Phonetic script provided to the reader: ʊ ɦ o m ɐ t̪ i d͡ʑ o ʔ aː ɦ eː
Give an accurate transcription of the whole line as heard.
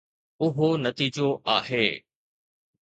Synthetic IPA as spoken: ʊ ɦ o n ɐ t̪ iː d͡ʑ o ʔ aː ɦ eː

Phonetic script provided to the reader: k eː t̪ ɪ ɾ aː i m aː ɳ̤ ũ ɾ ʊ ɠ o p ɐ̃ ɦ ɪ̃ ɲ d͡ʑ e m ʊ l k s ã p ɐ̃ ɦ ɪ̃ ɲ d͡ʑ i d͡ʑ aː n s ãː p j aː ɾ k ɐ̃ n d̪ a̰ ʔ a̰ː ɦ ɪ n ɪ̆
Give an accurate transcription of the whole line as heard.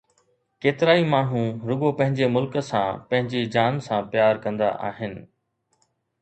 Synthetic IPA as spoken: k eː t̪ ɪ ɾ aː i m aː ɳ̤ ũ ɾ ʊ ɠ o p ɐ̃ ɦ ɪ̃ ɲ d͡ʑ e m ʊ l k s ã p ɐ̃ ɦ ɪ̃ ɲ d͡ʑ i d͡ʑ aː n s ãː p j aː ɾ k ɐ̃ n d̪ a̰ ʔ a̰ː ɦ ɪ n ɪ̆

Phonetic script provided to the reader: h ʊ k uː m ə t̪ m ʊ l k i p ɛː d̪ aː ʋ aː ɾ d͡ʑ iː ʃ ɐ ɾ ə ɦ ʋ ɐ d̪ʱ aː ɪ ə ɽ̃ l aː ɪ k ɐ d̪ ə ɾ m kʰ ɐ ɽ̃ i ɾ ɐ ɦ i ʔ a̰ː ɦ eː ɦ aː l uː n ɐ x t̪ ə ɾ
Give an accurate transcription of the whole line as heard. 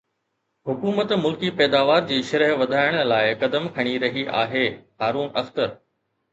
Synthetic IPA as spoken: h ʊ k uː m ə t̪ m ʊ l k i p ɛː d̪ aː ʋ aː ɾ d͡ʑ iː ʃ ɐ ɾ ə ɦ ʋ ɐ d̪ʱ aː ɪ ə ɽ̃ l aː ɪ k ɐ d̪ ə m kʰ ɐ ɽ̃ i ɾ ɐ ɦ i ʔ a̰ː ɦ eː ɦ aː ɾ uː n ɐ x t̪ ə ɾ

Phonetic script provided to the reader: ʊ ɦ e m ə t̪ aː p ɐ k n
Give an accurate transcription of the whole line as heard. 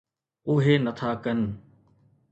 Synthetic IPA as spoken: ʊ ɦ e n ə t̪ʰ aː k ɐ n

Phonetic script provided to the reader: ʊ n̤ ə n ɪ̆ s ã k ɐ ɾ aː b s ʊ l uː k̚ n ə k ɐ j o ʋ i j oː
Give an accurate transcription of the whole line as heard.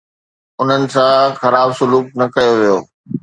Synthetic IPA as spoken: ʊ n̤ ə n ɪ̆ s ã x ɐ ɾ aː b s ʊ l uː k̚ n ɐ k ɐ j o ʋ i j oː

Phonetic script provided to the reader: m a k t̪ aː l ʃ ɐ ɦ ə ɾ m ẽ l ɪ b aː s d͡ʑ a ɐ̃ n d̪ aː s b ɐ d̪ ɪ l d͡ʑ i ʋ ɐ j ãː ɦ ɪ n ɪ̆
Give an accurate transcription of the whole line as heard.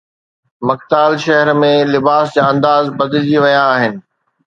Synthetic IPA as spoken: m ɐ k t̪ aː l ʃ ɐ ɦ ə ɾ m ẽ l ɪ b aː s d͡ʑ a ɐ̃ n d̪ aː z b ɐ d̪ ɪ l d͡ʑ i ʋ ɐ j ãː ɦ ɪ n ɪ̆

